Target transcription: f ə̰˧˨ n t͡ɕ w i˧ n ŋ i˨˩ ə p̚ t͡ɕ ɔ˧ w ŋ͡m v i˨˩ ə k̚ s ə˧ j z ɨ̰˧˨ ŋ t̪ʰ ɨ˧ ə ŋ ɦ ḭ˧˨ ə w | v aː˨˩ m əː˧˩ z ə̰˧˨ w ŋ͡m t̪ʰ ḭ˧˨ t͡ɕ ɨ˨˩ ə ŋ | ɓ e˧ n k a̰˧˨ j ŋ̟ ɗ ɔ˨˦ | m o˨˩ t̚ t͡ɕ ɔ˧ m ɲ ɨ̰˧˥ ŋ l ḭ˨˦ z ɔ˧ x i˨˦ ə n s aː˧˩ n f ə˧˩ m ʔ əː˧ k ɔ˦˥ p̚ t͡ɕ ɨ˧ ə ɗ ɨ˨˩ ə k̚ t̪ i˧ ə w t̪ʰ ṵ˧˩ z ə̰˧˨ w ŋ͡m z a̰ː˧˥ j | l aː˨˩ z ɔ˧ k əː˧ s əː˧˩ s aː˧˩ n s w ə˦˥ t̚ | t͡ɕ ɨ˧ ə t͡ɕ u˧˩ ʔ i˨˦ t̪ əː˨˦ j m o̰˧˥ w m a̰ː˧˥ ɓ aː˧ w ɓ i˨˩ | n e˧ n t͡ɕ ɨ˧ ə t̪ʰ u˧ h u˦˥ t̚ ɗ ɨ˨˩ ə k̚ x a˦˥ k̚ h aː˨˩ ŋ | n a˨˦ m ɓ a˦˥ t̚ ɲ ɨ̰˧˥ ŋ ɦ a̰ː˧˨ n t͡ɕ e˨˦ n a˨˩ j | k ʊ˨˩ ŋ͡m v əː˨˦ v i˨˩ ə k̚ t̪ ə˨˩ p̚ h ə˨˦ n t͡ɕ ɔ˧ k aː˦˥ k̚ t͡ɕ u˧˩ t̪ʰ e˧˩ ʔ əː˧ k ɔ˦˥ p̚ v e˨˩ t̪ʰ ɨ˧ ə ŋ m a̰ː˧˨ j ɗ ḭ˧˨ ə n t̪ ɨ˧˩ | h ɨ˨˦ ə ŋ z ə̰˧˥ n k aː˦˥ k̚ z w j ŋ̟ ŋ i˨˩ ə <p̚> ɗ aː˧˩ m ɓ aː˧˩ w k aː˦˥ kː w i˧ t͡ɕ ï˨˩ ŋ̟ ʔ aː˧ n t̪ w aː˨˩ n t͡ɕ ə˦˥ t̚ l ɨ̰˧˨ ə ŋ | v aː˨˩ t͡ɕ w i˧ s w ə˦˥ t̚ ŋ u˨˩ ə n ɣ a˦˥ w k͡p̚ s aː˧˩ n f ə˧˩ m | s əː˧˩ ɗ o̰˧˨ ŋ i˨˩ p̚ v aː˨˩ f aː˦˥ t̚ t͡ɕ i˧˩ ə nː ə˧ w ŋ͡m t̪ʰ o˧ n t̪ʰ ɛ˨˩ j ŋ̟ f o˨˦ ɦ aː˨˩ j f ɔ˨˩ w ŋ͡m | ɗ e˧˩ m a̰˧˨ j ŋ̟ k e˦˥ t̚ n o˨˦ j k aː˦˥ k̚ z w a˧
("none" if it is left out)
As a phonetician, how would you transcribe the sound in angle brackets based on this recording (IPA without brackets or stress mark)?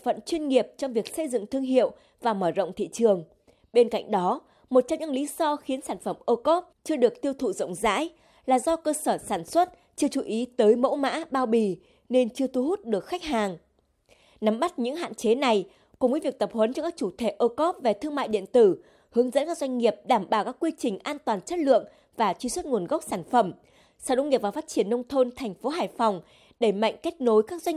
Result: p̚